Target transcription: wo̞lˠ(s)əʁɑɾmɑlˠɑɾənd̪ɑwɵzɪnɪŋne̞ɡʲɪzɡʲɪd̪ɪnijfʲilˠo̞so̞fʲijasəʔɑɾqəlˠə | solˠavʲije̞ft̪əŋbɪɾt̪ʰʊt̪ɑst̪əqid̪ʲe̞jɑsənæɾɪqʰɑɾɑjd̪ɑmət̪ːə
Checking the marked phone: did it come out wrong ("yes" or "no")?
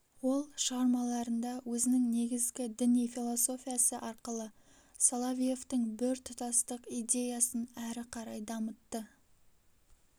yes